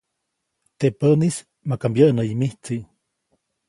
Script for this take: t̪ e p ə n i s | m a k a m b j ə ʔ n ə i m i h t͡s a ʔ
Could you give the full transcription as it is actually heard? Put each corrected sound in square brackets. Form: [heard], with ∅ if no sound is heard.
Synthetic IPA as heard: t̪ e p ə n i s | m a k a m b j ə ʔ n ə i m i h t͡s [i] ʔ